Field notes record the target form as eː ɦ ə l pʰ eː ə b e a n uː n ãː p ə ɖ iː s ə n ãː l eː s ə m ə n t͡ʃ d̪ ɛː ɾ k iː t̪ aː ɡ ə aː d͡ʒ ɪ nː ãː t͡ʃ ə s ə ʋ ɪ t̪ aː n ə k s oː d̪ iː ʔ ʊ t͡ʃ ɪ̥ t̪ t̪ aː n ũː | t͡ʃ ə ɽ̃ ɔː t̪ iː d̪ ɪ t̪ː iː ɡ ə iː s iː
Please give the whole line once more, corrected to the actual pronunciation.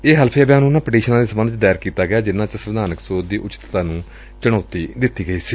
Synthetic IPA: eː ɦ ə l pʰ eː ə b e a n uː n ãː p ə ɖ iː ʃ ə n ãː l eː s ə m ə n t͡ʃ d̪ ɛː ɾ k iː t̪ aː ɡ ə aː d͡ʒ ɪ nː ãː t͡ʃ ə s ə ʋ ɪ d̪ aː n ə k s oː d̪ iː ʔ ʊ t͡ʃ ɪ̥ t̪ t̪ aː n ũː | t͡ʃ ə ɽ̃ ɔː t̪ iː d̪ ɪ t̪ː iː ɡ ə iː s iː

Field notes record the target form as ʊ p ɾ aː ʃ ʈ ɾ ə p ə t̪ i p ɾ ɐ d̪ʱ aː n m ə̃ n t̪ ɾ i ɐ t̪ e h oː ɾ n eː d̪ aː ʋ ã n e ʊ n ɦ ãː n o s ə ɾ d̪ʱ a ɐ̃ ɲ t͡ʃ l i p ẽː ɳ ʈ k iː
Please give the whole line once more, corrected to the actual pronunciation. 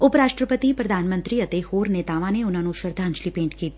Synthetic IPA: ʊ p ɾ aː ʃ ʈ ɾ ə p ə t̪ i p ɾ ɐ d̪ʱ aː n m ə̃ n t̪ ɾ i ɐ t̪ e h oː ɾ n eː t̪ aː ʋ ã n e ʊ n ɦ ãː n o ʃ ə ɾ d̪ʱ a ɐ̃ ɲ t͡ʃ l i p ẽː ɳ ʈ k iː

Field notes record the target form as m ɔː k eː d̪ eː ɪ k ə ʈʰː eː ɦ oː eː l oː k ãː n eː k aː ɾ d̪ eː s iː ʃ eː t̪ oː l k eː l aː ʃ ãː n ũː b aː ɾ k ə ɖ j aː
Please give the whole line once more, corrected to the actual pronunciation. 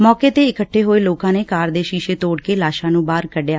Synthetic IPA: m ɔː k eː t̪ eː ɪ k ə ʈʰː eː ɦ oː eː l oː k ãː n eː k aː ɾ d̪ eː ʃ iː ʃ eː t̪ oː ɽ k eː l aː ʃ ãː n ũː b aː ɾ k ə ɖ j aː

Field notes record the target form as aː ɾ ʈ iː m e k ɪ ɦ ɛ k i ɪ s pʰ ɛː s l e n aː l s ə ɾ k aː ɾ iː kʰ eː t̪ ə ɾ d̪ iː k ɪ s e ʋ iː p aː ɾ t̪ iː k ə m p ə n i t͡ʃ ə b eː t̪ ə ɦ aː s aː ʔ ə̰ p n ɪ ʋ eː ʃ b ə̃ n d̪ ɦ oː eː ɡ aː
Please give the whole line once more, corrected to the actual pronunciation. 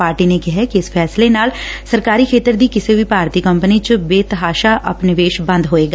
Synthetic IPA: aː ɾ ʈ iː n e k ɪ ɦ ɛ k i ɪ s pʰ ɛː s l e n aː l s ə ɾ k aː ɾ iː kʰ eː t̪ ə ɾ d̪ iː k ɪ s e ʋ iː p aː ɾ t̪ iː k ə m p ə n i t͡ʃ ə b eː t̪ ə ɦ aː ʃ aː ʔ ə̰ p n ɪ ʋ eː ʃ b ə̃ n d̪ ɦ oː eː ɡ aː

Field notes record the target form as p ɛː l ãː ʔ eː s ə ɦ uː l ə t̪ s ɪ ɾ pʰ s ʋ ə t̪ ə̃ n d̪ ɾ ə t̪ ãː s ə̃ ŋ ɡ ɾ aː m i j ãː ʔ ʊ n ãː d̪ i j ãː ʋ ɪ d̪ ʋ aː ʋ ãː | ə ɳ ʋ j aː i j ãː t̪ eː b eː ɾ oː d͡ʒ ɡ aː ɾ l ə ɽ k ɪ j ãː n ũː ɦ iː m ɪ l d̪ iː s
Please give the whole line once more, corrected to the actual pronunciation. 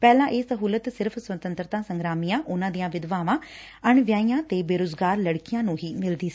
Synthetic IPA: p ɛː l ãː ʔ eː s ə ɦ uː l ə t̪ s ɪ ɾ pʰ s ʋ ə t̪ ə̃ n t̪ ɾ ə t̪ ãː s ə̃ ŋ ɡ ɾ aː m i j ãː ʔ ʊ n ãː d̪ i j ãː ʋ ɪ d̪ ʋ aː ʋ ãː | ə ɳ ʋ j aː i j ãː t̪ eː b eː ɾ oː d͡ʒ ɡ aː ɾ l ə ɽ k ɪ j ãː n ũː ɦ iː m ɪ l d̪ iː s

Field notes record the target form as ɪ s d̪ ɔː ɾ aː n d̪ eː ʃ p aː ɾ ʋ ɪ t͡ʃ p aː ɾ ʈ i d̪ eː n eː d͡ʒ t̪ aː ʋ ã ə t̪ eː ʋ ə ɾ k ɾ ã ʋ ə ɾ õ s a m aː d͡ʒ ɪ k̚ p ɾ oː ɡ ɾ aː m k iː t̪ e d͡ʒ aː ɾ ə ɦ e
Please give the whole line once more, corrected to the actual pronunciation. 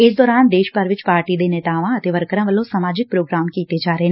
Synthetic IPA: ɪ s d̪ ɔː ɾ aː n d̪ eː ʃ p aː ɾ ʋ ɪ t͡ʃ p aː ɾ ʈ i d̪ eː n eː t̪ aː ʋ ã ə t̪ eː ʋ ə ɾ k ɾ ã ʋ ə l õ s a m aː d͡ʒ ɪ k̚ p ɾ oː ɡ ɾ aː m k iː t̪ e d͡ʒ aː ɾ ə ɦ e

